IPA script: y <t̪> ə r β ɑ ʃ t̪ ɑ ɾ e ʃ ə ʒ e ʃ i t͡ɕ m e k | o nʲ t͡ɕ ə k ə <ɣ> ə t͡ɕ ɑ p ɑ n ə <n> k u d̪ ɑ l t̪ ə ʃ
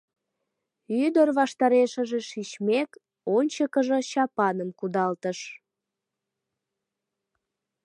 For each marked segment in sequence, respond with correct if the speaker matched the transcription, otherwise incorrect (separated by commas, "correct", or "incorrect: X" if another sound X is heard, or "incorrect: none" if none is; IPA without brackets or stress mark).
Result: incorrect: d̪, incorrect: ʒ, incorrect: m